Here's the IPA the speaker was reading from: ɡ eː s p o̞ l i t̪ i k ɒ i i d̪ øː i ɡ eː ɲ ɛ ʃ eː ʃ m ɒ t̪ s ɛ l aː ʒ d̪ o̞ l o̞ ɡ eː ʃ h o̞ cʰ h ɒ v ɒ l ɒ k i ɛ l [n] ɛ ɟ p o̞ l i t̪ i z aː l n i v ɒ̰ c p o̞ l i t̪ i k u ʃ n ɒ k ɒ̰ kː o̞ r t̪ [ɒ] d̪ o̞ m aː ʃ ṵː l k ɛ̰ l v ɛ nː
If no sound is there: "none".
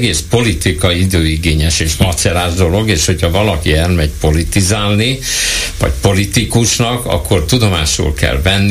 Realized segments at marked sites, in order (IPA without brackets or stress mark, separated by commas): m, u